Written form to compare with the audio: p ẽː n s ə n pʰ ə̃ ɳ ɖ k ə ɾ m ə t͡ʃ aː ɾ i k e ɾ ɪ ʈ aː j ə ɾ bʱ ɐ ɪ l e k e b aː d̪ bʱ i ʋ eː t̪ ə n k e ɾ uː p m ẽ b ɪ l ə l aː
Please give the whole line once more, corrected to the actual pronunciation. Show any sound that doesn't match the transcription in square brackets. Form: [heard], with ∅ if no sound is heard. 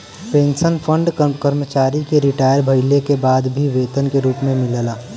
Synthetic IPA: p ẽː n s ə n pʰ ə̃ ɳ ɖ k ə ɾ m ə t͡ʃ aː ɾ i k e ɾ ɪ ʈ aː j ə ɾ bʱ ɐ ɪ l e k e b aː d̪ bʱ i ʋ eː t̪ ə n k e ɾ uː p m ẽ [m] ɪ l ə l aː